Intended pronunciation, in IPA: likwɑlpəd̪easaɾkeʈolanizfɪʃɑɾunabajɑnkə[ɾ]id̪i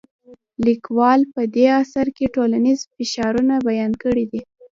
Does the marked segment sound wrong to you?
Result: yes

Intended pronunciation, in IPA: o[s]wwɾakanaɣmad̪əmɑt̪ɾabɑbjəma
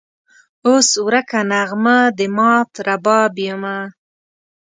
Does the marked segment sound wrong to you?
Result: no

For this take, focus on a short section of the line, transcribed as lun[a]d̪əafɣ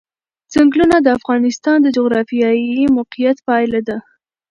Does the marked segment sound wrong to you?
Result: no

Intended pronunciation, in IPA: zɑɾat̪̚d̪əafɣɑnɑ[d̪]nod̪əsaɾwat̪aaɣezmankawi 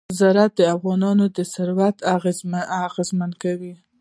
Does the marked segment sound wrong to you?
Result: yes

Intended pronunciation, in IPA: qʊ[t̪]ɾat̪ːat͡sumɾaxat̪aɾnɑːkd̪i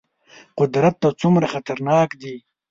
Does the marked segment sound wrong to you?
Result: yes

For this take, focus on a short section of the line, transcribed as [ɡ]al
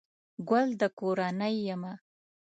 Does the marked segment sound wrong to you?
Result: no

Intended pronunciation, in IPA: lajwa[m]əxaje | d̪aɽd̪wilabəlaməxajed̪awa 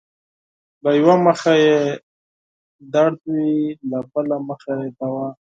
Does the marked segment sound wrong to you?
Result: no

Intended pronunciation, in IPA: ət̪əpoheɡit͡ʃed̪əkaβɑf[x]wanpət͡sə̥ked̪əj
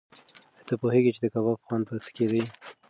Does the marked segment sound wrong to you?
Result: no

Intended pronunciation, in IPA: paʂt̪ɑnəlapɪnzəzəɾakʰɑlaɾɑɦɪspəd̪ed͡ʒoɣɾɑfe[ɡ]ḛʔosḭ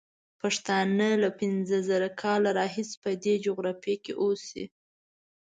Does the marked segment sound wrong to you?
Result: yes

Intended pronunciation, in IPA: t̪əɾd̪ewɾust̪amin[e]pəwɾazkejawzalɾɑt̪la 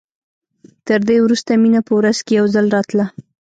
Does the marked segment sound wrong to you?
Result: yes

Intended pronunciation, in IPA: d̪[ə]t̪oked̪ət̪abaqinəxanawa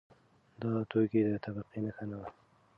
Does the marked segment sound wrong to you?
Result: yes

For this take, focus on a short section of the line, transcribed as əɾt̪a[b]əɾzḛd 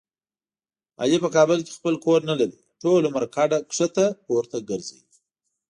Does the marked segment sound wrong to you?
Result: yes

